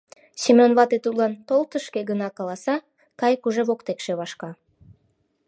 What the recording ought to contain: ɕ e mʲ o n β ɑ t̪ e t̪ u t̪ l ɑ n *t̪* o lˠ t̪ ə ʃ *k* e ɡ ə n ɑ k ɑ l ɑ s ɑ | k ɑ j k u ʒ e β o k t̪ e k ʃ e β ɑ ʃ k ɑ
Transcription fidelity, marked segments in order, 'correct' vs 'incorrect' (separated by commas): correct, correct